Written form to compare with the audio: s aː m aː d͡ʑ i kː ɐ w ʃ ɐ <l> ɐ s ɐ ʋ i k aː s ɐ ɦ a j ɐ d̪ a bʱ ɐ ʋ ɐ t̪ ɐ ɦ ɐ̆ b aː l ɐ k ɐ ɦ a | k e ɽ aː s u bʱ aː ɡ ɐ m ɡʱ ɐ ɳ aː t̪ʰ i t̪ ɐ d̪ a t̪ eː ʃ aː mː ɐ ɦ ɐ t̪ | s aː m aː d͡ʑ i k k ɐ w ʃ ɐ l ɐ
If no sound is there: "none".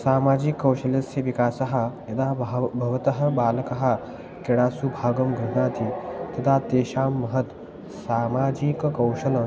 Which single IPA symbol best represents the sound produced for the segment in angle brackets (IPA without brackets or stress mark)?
l